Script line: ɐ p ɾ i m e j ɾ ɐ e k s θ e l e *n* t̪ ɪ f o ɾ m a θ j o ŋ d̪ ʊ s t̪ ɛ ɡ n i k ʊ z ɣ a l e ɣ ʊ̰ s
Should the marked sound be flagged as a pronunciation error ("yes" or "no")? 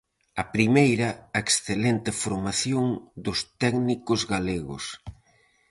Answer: no